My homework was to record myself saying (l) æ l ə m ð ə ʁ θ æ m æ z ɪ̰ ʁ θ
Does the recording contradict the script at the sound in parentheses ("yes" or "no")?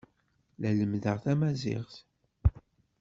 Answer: no